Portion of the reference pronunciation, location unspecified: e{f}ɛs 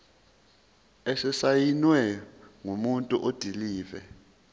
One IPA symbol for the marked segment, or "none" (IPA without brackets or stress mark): s